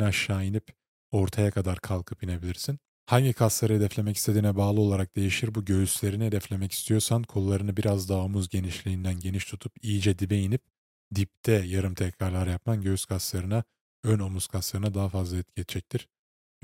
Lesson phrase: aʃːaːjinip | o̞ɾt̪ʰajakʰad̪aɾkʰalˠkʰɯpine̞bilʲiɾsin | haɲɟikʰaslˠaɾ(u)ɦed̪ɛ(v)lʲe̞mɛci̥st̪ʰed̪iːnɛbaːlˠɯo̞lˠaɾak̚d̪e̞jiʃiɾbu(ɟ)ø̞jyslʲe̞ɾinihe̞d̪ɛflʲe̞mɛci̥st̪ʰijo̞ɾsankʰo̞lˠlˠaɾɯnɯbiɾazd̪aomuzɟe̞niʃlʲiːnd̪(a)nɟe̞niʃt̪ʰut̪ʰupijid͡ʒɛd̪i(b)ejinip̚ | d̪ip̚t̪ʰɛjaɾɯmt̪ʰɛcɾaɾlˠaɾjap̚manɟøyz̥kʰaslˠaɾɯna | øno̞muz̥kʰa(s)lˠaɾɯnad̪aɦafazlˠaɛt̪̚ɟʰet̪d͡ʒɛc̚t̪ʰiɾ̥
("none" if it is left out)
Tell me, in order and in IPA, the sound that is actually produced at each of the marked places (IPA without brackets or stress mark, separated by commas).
ɯ, f, ɟ, æ, b, s